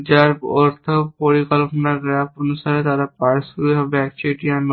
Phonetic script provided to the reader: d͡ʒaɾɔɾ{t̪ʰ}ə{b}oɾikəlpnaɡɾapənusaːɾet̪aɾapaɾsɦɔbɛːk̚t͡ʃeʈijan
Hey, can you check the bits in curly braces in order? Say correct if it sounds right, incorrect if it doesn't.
correct, incorrect: p

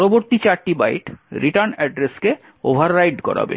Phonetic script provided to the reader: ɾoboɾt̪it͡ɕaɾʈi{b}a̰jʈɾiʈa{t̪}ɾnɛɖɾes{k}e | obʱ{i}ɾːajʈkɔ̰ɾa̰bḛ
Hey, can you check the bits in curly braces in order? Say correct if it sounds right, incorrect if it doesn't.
correct, incorrect: none, correct, incorrect: a

